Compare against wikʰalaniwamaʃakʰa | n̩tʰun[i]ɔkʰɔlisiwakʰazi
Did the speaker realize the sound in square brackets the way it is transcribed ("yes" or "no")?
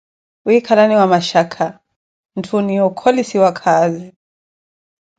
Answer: yes